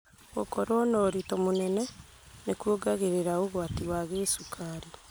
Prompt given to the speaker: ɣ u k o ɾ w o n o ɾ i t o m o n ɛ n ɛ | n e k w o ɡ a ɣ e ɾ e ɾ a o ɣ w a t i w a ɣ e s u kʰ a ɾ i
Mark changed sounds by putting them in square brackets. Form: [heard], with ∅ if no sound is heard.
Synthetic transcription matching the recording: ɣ [o] k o ɾ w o n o ɾ i t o m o n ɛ n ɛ | n e k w o ɡ a ɣ e ɾ e ɾ a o ɣ w a t i w a ɣ e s u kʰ a ɾ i

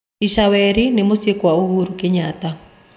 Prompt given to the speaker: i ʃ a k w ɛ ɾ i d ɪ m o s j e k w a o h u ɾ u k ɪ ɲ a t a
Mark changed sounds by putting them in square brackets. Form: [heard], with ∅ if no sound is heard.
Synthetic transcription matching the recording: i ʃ a [∅] w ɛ ɾ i [n] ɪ m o s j e k w a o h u ɾ u k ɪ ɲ a t a

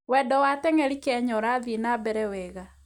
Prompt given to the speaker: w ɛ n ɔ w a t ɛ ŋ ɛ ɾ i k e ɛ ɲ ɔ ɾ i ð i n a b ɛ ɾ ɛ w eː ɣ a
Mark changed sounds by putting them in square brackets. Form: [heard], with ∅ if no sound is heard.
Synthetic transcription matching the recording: w ɛ [d] ɔ w a t ɛ ŋ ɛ ɾ i k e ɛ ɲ ɔ ɾ [a] ð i n a b ɛ ɾ ɛ w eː ɣ a

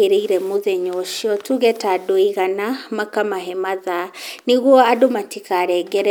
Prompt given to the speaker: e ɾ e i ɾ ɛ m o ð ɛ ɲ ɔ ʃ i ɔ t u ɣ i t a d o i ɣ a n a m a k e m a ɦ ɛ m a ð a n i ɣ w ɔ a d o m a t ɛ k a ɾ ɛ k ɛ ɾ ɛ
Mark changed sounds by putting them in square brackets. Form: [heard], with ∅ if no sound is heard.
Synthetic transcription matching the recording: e ɾ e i ɾ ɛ m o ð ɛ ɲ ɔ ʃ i ɔ t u ɣ [ɛ] t a d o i ɣ a n a m a k [a] m a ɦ ɛ m a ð a n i ɣ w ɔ a d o m a t [i] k a ɾ ɛ [ɡ] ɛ ɾ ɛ

